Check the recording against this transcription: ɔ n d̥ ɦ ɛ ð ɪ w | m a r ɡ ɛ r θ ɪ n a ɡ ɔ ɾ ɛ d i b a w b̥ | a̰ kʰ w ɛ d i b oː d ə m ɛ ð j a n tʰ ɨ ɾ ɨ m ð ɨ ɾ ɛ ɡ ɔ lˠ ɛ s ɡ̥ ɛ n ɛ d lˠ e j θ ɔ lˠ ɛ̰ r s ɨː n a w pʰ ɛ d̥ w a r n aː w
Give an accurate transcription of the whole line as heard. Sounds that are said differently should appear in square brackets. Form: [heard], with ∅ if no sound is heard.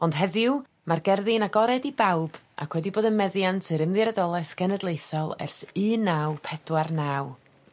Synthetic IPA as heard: ɔ n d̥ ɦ ɛ ð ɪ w | m a r ɡ ɛ r [ð] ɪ n a ɡ ɔ ɾ ɛ d i b a w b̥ | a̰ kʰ w ɛ d i b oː d ə m ɛ ð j a n tʰ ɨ ɾ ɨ m ð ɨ ɾ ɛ [d] ɔ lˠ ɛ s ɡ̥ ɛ n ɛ d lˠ e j θ ɔ lˠ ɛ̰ r s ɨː n a w pʰ ɛ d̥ w a r n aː w